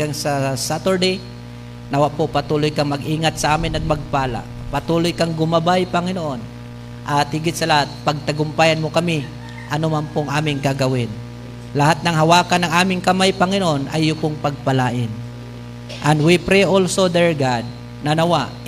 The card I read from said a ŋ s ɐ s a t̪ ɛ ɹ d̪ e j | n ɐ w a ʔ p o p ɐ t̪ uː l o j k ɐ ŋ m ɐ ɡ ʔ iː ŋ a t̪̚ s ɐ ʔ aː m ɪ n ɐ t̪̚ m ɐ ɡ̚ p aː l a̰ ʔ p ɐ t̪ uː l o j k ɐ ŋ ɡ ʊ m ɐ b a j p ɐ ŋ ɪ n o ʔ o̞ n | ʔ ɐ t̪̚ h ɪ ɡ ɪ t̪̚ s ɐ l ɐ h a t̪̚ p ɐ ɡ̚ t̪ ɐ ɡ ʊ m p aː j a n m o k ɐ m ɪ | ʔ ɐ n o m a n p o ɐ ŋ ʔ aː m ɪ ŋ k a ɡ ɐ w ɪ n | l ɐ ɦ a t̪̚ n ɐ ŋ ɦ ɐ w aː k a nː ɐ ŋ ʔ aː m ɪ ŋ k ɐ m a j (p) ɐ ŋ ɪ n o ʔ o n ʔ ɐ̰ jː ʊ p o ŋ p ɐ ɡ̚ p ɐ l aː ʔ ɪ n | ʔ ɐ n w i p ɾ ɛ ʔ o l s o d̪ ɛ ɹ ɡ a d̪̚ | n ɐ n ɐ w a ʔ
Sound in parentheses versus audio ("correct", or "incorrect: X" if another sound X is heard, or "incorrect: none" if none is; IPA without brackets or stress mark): correct